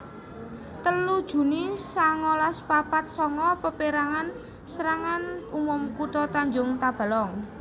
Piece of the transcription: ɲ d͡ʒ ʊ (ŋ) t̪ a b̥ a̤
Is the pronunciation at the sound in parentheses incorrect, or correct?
correct